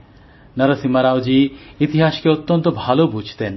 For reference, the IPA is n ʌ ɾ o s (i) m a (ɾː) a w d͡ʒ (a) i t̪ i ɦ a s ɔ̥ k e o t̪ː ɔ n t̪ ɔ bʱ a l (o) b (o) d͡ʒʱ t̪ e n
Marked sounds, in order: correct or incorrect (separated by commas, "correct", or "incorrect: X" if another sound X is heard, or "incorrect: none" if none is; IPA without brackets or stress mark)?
correct, incorrect: ɾ, incorrect: i, correct, incorrect: u